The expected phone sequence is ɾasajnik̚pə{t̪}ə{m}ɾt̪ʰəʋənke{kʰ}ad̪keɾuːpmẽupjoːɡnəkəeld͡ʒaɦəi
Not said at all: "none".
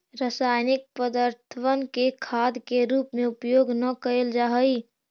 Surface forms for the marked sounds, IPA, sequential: d̪, none, kʰ

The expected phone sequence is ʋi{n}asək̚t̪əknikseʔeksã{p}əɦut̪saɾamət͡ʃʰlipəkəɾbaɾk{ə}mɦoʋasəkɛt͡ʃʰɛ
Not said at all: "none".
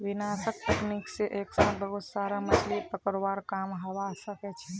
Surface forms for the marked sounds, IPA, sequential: n, b, a

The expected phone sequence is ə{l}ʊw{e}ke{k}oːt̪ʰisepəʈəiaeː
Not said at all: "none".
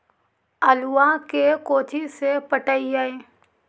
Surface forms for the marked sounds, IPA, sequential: l, a, k

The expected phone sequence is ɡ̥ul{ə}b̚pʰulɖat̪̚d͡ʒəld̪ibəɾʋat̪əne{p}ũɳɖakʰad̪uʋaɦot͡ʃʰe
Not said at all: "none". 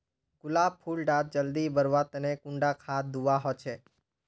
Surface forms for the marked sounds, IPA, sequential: a, k

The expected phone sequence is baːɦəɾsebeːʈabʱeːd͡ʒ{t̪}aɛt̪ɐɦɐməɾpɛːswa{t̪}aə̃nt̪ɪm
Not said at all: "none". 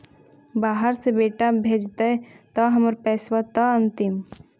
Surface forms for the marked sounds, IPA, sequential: t̪, t̪

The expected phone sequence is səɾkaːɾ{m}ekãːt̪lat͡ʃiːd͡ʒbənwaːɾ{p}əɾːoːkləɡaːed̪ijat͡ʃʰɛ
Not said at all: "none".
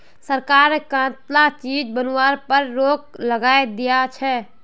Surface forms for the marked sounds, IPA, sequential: n, p

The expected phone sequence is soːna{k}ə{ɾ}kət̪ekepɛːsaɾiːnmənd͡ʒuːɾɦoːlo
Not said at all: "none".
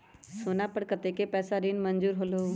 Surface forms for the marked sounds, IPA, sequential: p, ɽ

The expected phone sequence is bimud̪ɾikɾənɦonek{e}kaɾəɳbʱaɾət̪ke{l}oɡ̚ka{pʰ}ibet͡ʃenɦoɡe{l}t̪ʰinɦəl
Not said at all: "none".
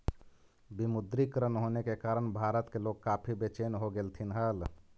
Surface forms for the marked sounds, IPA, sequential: e, l, pʰ, l

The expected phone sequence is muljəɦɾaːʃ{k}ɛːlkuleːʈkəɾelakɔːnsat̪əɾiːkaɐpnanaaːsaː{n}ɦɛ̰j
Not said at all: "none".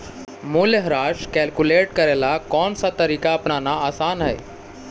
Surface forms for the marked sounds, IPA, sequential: k, n

